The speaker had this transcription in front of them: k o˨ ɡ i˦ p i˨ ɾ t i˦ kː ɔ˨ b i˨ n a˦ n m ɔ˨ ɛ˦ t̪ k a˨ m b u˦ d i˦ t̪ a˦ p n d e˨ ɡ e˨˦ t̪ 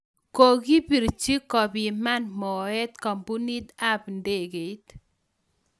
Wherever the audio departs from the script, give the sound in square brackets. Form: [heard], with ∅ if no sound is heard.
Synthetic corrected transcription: k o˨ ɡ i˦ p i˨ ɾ [t͡ʃ] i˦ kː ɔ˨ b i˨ [m] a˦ n m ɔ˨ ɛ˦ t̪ k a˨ m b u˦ [n] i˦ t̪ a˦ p n d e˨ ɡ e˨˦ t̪